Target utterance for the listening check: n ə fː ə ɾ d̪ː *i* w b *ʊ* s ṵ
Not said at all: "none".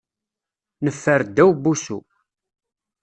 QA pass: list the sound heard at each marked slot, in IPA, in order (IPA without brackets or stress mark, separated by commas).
æ, u